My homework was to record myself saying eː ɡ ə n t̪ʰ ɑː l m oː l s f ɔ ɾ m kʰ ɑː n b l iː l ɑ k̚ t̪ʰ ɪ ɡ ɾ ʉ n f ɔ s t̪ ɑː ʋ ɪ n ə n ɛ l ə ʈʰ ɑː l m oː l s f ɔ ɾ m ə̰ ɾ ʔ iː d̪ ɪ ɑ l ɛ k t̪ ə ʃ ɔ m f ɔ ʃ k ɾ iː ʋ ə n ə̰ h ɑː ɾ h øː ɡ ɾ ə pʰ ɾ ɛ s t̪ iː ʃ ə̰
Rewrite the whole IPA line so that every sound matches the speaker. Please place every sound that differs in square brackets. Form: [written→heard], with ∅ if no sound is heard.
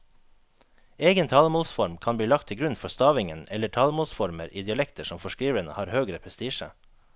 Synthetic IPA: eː ɡ ə n t̪ʰ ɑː l m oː l s f ɔ ɾ m kʰ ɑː n b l iː l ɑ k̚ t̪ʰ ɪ ɡ ɾ ʉ n f ɔ s t̪ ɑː ʋ ɪ [n→ŋ] ə n ɛ l ə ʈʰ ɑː l m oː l s f ɔ ɾ m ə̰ ɾ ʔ iː d̪ ɪ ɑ l ɛ k t̪ ə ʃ ɔ m f ɔ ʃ k ɾ iː ʋ ə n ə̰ h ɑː ɾ h øː ɡ ɾ ə pʰ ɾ ɛ s t̪ iː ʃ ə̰